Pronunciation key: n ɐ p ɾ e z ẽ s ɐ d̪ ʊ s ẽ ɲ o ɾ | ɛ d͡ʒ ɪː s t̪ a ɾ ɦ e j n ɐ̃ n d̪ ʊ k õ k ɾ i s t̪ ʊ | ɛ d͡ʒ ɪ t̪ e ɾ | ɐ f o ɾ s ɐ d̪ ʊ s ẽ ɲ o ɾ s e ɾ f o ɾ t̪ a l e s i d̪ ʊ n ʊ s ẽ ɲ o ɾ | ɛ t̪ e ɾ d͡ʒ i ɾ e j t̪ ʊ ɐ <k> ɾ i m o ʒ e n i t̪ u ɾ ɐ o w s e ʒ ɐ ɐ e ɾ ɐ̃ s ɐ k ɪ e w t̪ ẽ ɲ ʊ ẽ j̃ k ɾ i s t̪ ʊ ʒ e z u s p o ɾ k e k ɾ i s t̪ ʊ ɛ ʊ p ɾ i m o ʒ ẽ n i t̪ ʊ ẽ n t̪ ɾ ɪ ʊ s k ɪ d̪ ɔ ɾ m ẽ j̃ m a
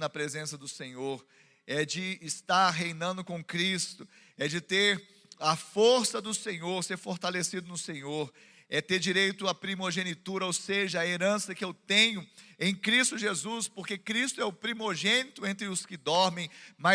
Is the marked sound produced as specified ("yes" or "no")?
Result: no